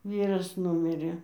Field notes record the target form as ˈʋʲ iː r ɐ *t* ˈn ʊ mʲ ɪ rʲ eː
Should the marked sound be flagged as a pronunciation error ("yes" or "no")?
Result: yes